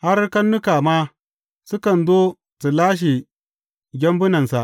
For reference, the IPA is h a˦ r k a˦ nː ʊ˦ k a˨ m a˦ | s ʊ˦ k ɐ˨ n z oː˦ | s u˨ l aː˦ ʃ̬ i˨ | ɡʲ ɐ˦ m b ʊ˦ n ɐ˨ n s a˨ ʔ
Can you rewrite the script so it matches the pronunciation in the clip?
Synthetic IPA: h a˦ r k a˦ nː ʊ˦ k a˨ m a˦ | s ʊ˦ k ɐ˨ n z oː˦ | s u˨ l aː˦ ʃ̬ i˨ | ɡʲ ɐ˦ m b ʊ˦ n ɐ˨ n s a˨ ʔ